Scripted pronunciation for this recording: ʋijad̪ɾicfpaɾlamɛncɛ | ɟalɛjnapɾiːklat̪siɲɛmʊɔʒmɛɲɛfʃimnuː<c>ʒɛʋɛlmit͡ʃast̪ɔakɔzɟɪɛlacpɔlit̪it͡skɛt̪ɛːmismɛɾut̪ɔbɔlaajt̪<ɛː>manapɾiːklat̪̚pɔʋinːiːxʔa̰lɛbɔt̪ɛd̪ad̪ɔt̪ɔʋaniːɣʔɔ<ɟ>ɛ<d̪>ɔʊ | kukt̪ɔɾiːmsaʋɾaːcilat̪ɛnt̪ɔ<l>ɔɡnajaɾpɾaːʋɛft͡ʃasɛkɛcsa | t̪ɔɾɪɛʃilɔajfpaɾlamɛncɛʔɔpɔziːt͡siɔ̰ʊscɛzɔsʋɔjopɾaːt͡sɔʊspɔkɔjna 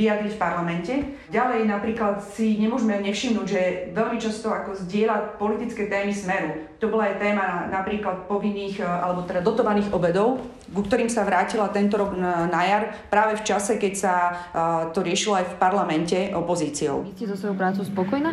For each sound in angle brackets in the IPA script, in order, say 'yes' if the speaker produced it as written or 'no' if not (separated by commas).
no, yes, no, yes, no